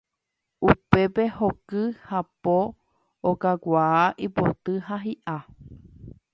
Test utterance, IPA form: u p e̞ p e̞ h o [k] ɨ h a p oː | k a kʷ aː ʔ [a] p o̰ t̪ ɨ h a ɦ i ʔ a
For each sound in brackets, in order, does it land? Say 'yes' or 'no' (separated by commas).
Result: yes, no